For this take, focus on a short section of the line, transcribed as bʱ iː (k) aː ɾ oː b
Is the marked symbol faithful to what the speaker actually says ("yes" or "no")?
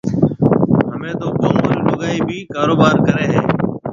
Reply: yes